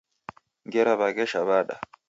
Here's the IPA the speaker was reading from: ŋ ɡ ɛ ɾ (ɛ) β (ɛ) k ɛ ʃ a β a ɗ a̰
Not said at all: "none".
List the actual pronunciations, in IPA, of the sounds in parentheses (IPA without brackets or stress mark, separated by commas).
a, a